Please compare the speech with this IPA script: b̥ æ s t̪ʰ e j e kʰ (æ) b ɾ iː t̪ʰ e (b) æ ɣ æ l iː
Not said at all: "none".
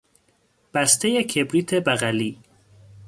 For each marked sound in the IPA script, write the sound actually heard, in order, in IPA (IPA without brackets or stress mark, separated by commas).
e, b